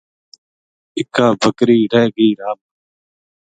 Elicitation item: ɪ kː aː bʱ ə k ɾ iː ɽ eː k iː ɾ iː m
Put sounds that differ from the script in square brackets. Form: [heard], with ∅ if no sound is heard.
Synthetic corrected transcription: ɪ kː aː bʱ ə k ɾ iː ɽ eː [ɡ] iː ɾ [aː] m